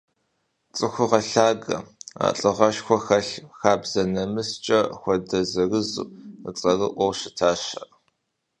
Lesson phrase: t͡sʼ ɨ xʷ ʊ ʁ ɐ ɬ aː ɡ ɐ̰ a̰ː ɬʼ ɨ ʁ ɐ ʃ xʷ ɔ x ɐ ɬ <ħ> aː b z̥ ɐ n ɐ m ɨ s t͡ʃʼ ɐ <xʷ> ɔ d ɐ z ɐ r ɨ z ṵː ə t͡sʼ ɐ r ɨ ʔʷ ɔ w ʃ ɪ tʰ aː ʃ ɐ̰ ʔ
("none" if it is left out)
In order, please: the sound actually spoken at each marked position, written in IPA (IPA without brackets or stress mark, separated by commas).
x, xʷ